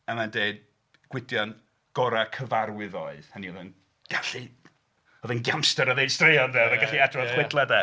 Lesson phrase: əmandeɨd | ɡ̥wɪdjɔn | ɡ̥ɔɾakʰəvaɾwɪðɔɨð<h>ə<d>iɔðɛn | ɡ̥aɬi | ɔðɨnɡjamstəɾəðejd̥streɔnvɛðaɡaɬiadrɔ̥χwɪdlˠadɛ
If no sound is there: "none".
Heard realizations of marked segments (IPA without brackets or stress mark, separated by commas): h, n